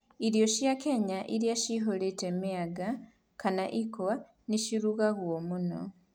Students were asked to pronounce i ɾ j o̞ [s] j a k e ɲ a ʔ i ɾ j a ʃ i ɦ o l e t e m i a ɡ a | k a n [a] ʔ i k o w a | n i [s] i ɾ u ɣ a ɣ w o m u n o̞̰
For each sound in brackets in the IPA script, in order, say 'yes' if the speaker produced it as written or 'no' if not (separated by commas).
no, yes, no